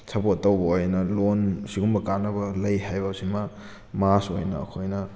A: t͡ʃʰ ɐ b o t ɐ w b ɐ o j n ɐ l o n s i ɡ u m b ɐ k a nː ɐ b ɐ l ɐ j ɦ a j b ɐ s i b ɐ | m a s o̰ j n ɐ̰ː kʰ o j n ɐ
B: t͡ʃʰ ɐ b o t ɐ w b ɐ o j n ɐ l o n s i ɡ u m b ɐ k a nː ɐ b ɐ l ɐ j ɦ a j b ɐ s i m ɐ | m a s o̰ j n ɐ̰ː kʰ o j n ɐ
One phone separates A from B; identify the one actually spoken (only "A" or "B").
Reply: B